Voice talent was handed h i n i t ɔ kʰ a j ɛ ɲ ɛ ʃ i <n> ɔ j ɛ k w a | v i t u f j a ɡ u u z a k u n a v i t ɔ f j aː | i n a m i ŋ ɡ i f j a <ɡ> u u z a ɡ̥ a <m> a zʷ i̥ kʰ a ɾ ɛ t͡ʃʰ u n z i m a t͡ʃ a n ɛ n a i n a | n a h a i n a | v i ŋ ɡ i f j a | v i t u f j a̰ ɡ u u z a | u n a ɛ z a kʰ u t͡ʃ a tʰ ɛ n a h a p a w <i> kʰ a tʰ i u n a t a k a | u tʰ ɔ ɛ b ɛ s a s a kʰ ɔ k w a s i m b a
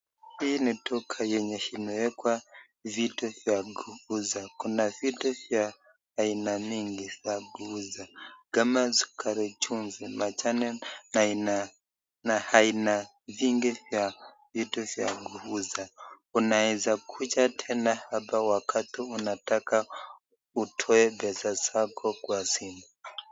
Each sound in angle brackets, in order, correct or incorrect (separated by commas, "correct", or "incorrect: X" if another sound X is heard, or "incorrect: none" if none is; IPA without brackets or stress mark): correct, correct, correct, incorrect: a